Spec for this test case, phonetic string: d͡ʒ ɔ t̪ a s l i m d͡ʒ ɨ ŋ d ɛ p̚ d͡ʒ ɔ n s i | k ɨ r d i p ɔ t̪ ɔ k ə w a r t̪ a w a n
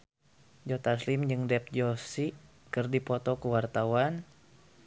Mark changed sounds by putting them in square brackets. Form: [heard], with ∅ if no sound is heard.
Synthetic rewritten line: d͡ʒ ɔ t̪ a s l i m d͡ʒ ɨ ŋ d ɛ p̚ d͡ʒ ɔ [∅] s i | k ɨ r d i p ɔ t̪ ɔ k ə w a r t̪ a w a n